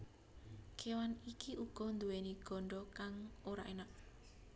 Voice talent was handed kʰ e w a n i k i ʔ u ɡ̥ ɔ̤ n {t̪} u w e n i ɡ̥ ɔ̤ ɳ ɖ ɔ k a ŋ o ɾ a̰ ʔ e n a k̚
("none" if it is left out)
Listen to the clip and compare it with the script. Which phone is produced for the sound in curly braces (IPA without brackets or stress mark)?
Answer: d̪